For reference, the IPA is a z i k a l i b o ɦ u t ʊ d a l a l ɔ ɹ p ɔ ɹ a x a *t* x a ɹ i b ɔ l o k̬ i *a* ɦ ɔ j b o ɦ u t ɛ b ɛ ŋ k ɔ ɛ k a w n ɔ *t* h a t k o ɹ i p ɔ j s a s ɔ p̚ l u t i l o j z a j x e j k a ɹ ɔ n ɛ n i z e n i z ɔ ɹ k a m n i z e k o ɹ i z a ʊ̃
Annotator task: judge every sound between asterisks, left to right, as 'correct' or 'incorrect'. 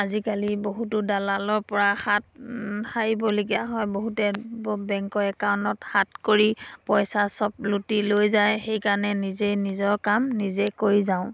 correct, correct, correct

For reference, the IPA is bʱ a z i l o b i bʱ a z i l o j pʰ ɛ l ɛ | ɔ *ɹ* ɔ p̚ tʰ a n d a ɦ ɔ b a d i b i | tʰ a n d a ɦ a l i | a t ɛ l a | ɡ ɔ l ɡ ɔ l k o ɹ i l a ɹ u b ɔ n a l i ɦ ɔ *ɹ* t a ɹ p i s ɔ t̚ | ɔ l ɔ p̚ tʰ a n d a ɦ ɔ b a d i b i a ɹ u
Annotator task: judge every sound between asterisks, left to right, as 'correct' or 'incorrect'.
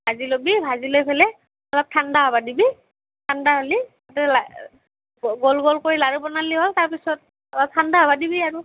incorrect: l, incorrect: l

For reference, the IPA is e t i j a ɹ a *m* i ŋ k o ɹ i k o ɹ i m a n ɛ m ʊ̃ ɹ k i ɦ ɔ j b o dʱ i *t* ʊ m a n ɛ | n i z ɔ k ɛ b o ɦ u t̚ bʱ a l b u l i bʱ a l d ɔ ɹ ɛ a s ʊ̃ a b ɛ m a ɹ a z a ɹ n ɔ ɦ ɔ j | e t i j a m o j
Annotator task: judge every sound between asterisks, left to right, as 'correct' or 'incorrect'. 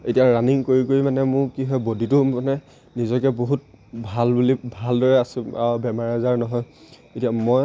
incorrect: n, correct

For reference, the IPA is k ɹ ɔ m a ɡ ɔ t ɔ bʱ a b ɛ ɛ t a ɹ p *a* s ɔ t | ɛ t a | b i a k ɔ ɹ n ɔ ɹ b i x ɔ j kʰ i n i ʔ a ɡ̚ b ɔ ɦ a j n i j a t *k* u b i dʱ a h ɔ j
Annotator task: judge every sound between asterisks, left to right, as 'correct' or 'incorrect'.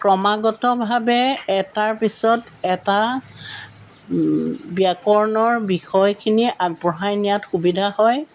incorrect: i, incorrect: x

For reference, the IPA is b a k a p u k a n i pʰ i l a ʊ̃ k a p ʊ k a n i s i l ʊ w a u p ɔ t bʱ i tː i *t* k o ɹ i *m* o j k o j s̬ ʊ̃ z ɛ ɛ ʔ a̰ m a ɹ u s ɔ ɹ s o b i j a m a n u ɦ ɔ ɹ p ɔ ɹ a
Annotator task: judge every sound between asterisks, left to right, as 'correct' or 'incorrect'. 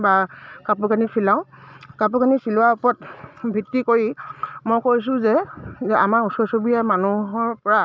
incorrect: none, correct

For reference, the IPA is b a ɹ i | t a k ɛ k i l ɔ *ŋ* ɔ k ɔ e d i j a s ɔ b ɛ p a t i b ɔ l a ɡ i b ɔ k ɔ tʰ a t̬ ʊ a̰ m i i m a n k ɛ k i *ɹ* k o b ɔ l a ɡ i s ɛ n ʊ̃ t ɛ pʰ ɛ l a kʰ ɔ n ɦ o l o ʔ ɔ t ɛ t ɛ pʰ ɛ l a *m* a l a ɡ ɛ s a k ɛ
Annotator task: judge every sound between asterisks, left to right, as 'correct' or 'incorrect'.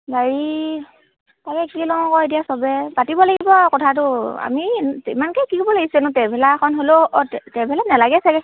correct, incorrect: none, incorrect: n

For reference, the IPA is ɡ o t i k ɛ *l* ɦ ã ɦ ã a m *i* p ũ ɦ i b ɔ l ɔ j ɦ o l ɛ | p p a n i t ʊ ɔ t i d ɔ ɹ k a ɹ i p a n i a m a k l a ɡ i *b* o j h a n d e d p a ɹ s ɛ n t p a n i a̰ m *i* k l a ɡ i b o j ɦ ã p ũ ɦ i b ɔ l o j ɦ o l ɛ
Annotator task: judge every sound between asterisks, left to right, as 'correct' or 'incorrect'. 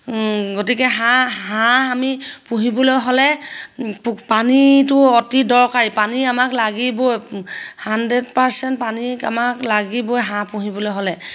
incorrect: none, correct, correct, incorrect: a

